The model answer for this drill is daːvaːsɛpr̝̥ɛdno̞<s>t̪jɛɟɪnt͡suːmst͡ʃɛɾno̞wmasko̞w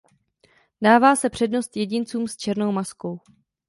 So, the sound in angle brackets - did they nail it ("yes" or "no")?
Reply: yes